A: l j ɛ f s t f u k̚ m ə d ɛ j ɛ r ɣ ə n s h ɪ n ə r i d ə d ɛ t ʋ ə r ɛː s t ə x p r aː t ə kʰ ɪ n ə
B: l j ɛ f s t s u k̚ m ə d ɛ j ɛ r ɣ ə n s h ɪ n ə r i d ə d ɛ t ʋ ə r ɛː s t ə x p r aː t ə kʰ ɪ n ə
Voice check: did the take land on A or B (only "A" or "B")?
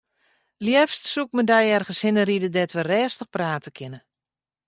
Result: B